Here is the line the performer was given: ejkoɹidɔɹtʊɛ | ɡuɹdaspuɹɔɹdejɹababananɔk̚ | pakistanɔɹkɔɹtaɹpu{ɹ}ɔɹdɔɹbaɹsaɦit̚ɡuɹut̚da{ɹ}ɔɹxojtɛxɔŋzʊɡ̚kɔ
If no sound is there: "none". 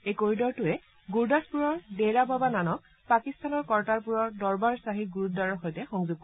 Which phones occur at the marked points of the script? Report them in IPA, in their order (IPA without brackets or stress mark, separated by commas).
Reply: ɹ, ɹ